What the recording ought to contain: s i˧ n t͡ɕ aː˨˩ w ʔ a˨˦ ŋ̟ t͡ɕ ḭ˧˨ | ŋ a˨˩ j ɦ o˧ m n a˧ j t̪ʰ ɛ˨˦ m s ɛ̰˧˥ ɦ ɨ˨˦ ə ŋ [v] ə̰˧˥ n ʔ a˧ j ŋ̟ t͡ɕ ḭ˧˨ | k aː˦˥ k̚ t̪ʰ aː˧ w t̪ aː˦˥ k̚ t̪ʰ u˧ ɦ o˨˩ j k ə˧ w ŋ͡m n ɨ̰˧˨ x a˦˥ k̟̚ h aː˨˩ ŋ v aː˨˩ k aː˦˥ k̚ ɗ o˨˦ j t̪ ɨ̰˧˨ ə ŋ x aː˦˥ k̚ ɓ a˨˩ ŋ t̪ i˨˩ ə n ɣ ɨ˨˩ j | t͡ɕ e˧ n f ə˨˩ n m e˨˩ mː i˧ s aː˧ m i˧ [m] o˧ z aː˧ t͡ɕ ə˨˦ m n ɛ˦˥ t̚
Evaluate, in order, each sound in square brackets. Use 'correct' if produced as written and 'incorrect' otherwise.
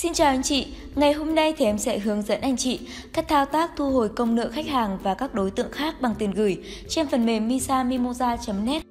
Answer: incorrect: z, correct

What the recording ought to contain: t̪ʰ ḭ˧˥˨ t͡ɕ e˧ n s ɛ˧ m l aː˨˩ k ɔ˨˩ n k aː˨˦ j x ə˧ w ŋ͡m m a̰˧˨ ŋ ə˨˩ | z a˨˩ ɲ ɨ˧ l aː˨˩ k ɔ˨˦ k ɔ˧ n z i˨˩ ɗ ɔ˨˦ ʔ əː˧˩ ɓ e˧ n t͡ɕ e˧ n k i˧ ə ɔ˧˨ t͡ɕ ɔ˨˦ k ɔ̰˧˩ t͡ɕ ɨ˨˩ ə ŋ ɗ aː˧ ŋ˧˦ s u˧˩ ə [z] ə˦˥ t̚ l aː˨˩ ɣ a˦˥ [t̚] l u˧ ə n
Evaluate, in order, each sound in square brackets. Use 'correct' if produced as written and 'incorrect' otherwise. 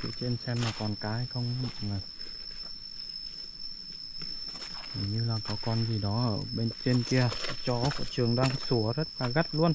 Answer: correct, correct

